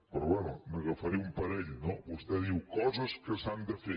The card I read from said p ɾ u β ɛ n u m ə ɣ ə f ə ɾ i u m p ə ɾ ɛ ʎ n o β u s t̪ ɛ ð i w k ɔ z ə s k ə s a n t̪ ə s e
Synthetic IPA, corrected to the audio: p ɾ ɔ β ɛ n u m ə ɣ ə f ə ɾ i u m p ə ɾ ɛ ʎ n o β u s t̪ ɛ ð i w k ɔ z ə s k ə s a n d̪ ə f e